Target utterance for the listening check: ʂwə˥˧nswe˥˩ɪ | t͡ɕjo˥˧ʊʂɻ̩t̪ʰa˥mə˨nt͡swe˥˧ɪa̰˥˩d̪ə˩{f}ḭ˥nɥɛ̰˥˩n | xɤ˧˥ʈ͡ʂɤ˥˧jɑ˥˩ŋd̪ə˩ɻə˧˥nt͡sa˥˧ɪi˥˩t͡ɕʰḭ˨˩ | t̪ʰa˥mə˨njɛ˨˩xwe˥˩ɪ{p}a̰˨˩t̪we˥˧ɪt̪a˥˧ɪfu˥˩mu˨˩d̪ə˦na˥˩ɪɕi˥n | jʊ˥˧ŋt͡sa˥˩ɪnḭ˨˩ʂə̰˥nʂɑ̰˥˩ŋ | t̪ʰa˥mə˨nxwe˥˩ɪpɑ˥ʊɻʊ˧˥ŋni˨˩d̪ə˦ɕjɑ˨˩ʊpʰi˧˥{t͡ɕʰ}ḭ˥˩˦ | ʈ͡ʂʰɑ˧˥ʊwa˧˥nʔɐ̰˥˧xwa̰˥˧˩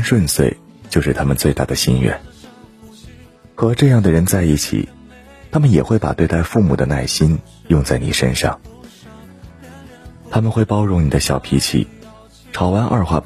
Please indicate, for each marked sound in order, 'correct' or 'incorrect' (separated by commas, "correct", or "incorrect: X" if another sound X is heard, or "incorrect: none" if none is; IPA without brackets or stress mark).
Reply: incorrect: ɕ, correct, correct